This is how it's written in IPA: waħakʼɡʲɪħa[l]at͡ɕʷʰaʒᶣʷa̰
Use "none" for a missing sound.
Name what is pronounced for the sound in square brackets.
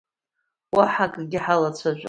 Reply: l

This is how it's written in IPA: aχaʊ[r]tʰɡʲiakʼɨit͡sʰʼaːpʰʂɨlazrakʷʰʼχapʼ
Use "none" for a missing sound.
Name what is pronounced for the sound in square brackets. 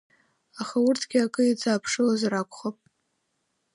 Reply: r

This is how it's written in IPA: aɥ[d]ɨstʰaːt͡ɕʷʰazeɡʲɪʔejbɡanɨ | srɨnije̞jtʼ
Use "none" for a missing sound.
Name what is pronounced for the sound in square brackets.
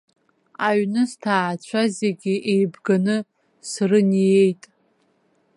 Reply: n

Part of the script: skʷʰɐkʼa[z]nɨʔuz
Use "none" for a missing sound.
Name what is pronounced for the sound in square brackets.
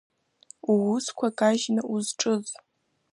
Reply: ʒ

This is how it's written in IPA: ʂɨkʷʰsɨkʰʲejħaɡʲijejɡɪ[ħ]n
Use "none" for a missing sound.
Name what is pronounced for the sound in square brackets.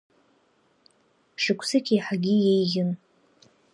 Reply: none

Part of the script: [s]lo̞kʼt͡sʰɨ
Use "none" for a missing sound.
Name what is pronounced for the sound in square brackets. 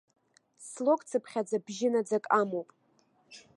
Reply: s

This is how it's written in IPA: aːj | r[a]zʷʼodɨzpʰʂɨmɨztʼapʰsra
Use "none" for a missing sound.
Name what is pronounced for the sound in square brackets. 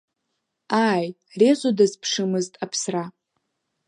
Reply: e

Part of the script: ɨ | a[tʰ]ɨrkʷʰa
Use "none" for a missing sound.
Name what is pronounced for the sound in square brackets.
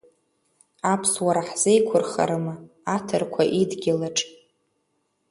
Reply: tʰ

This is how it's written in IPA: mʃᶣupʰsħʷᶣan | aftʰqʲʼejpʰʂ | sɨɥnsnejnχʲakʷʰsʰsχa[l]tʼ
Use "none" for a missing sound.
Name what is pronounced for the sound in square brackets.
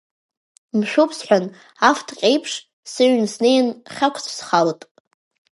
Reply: l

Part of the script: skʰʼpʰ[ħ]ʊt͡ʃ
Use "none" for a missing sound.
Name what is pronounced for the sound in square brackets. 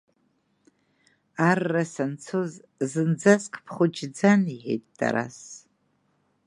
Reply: χ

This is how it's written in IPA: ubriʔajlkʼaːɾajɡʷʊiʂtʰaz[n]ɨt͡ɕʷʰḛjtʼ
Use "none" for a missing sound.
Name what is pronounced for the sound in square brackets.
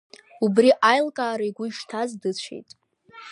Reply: d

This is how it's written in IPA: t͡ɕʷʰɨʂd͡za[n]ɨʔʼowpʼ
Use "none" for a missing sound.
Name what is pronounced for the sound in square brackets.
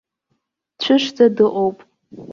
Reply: d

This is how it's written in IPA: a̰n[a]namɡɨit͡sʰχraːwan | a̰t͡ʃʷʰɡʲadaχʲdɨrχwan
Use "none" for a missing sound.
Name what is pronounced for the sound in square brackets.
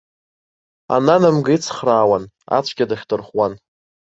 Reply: a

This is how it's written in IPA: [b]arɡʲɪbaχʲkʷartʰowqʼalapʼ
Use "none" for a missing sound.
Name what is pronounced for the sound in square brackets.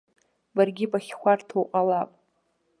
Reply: b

